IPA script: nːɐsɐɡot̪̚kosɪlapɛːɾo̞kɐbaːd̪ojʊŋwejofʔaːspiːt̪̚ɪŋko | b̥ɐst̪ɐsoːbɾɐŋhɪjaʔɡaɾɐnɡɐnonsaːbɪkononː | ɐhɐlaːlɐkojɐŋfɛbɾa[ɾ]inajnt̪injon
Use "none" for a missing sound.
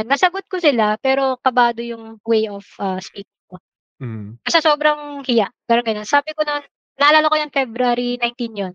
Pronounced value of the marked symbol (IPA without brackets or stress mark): ɾ